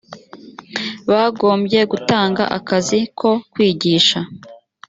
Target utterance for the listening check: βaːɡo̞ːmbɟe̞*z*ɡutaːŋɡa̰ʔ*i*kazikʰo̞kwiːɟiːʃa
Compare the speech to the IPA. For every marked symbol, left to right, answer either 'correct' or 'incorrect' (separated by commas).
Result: incorrect, incorrect